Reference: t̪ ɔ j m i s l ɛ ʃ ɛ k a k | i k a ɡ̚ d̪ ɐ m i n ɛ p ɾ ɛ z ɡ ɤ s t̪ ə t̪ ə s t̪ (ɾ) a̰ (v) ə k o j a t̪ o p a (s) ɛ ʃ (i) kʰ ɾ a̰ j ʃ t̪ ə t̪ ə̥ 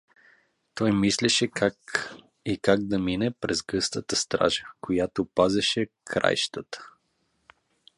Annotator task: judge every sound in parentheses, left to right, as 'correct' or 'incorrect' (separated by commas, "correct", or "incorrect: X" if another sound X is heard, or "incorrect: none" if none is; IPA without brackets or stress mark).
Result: correct, incorrect: ʒ, incorrect: z, incorrect: ɛ